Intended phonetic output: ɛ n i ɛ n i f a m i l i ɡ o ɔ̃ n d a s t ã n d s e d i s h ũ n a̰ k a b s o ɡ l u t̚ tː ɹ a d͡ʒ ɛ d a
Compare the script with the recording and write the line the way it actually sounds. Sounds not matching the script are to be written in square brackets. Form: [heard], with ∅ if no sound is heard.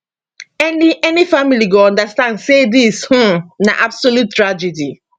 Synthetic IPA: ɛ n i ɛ n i f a m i l i ɡ o ɔ̃ n d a s t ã n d s e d i s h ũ n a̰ [ʔ] a b s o [∅] l u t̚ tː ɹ a d͡ʒ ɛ d [i]